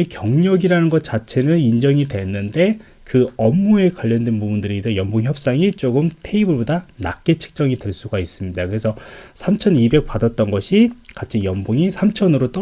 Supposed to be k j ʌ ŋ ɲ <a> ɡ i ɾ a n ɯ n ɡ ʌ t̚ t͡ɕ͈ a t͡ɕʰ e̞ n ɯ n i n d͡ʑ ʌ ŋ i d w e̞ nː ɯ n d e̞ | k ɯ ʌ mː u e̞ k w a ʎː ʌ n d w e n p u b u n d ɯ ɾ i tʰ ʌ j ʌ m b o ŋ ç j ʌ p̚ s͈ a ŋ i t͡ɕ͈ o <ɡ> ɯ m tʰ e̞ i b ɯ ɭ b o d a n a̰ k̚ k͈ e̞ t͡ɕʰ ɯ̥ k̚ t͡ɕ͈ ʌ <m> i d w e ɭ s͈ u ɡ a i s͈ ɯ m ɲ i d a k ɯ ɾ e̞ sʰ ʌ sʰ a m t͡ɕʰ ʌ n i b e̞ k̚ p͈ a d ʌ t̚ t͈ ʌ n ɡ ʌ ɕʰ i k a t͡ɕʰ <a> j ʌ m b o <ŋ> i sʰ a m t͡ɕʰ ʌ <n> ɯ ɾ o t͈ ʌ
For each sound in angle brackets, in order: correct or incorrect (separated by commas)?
incorrect, correct, incorrect, incorrect, correct, correct